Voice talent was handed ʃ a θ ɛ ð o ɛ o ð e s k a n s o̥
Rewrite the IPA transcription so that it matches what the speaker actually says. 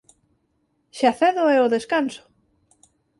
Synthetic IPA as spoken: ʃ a θ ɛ ð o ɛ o ð e s k a n s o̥